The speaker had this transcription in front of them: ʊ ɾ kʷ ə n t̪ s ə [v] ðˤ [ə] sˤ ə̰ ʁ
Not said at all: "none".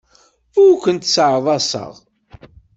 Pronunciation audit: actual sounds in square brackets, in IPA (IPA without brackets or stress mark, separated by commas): ʕ, ɑ